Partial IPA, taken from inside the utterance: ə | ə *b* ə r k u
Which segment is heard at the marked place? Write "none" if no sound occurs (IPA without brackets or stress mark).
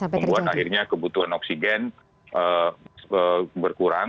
b